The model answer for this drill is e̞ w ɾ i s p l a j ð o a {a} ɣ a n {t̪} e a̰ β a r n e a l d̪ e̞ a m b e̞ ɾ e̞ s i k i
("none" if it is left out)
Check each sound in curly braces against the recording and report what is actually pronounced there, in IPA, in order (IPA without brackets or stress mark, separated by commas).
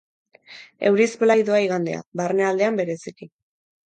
i, d̪